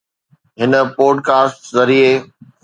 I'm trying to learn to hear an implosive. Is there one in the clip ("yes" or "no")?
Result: no